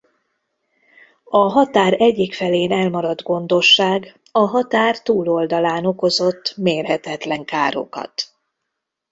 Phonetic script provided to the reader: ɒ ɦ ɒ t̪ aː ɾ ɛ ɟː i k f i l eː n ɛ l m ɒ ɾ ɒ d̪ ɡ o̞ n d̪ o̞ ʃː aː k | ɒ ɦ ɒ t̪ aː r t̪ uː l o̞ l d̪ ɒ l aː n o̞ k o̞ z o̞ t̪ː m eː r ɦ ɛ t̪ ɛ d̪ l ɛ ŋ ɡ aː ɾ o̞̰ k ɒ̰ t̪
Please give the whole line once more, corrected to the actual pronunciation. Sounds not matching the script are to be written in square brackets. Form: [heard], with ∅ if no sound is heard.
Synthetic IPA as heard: ɒ ɦ ɒ t̪ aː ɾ ɛ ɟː i k f [ɛ] l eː n ɛ l m ɒ ɾ ɒ d̪ ɡ o̞ n d̪ o̞ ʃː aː [ɡ] | ɒ ɦ ɒ t̪ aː r t̪ uː l o̞ l d̪ ɒ l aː n o̞ k o̞ z o̞ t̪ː m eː r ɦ ɛ t̪ ɛ [t̪] l ɛ ŋ [k] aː ɾ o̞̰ k ɒ̰ t̪